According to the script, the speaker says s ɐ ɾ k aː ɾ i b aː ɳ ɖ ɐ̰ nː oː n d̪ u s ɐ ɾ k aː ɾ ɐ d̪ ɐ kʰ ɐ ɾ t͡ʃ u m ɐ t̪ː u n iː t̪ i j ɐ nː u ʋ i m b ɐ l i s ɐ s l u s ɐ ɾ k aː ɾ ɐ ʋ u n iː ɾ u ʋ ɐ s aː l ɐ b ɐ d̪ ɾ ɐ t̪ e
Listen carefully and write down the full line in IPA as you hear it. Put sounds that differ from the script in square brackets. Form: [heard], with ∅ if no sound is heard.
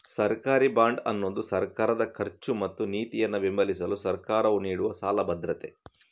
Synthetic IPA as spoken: s ɐ ɾ k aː ɾ i b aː ɳ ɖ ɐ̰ nː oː n d̪ u s ɐ ɾ k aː ɾ ɐ d̪ ɐ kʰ ɐ ɾ t͡ʃ u m ɐ t̪ː u n iː t̪ i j ɐ nː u ʋ i m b ɐ l i s ɐ [∅] l u s ɐ ɾ k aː ɾ ɐ ʋ u n iː [ɽ] u ʋ ɐ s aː l ɐ b ɐ d̪ ɾ ɐ t̪ e